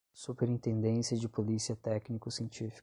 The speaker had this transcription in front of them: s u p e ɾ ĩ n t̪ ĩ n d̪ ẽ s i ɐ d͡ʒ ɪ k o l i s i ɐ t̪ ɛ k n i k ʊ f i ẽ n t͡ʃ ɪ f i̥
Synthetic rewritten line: s u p e ɾ ĩ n t̪ ẽ n d̪ ẽ s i ɐ d͡ʒ ɪ p o l i s i ɐ t̪ ɛ k n i k ʊ s i ẽ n t͡ʃ i f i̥